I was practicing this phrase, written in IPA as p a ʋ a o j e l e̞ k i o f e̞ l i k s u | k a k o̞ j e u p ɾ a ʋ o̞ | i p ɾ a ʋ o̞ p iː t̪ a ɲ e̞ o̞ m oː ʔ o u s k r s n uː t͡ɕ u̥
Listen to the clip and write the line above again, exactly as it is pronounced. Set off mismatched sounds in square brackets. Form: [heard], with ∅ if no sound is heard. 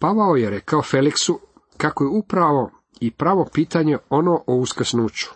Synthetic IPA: p a ʋ a o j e [ɾ] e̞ k [a] o f e̞ l i k s u | k a k o̞ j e u p ɾ a ʋ o̞ | i p ɾ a ʋ o̞ p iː t̪ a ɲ e̞ o̞ [n] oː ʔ o u s k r s n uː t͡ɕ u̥